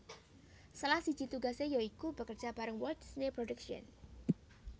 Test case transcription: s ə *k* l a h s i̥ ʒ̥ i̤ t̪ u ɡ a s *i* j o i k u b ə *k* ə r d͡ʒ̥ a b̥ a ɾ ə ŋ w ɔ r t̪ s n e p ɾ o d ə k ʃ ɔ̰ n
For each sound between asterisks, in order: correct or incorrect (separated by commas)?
incorrect, incorrect, correct